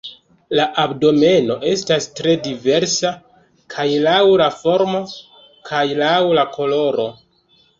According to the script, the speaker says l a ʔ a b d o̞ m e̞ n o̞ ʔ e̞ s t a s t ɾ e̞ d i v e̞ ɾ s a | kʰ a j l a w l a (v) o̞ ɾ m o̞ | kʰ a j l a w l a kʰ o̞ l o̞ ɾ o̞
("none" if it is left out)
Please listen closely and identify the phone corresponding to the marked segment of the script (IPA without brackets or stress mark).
f